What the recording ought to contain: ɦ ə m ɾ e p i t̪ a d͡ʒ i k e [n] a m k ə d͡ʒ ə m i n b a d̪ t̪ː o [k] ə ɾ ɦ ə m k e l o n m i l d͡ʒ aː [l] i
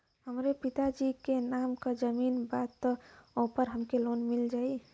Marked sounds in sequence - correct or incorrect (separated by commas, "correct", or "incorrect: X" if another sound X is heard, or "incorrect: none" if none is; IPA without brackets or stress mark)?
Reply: correct, incorrect: p, incorrect: none